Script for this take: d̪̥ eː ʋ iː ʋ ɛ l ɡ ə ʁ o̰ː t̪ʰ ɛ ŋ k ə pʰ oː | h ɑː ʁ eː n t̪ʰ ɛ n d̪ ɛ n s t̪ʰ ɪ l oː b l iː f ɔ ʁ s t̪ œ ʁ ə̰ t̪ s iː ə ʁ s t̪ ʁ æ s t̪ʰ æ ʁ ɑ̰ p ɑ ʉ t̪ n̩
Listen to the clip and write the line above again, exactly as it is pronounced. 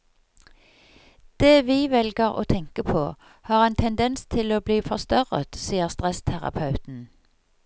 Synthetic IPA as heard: d̪̥ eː ʋ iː ʋ ɛ l ɡ ə ʁ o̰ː t̪ʰ ɛ ŋ k ə pʰ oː | h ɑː ʁ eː n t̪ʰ ɛ n d̪ ɛ n s t̪ʰ ɪ l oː b l iː f ɔ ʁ s t̪ œ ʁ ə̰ t̪ s iː ə ʁ s t̪ ʁ ɛ s t̪ʰ æ ʁ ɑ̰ pʰ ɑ ʉ t̪ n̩